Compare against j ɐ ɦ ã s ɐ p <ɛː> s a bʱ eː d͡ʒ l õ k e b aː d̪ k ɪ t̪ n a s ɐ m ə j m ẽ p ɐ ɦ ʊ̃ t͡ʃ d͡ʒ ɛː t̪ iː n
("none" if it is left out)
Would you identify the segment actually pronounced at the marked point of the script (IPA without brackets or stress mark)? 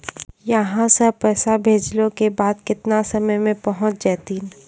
ɛː